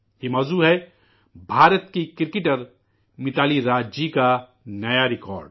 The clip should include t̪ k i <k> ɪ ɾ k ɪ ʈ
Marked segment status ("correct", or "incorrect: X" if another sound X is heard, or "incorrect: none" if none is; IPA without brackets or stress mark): correct